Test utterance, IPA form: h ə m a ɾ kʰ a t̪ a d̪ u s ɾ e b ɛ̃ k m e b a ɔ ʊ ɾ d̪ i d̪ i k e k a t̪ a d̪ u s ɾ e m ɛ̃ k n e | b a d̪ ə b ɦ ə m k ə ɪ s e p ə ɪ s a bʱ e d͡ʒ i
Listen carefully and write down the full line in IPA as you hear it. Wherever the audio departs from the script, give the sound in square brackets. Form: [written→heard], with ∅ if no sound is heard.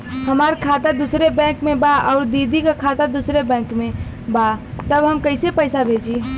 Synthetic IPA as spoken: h ə m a ɾ kʰ a t̪ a d̪ u s ɾ e b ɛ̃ k m e b a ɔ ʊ ɾ d̪ i d̪ i k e [k→kʰ] a t̪ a d̪ u s ɾ e [m→b] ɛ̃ k [n→m] e | b a [d̪→t̪] ə b ɦ ə m k ə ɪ s e p ə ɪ s a bʱ e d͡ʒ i